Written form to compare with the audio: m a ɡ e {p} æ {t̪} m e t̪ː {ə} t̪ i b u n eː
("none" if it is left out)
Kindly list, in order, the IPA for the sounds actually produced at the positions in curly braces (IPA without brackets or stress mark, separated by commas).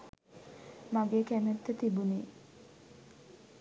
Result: k, none, ə